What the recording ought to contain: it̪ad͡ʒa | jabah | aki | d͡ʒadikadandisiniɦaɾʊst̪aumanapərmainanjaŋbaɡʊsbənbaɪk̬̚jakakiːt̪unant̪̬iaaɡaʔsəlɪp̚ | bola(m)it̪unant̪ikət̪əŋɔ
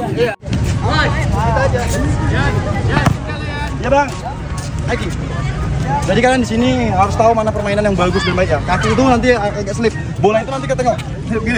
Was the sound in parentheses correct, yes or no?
no